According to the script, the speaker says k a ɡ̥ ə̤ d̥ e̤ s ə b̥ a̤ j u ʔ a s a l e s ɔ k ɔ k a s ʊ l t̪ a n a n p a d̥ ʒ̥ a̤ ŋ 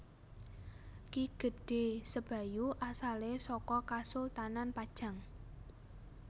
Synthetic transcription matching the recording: k i ɡ̥ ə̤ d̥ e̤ s ə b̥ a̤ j u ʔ a s a l e s ɔ k ɔ k a s ʊ l t̪ a n a n p a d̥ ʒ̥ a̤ ŋ